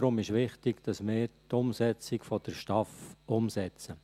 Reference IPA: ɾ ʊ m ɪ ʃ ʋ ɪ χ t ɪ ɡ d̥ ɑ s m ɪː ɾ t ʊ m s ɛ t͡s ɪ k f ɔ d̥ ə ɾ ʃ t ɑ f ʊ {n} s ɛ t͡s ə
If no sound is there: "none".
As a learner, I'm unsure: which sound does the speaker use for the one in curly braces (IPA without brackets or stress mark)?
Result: m